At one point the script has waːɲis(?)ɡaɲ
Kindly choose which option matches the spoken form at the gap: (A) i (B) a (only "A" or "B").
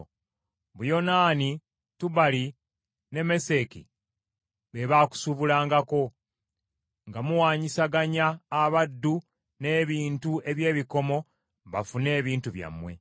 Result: B